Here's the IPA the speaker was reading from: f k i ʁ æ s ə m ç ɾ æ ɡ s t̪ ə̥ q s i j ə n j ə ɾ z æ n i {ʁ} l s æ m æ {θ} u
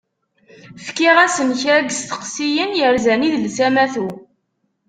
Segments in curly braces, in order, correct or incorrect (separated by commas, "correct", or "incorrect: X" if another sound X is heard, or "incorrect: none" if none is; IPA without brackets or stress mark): incorrect: ð, correct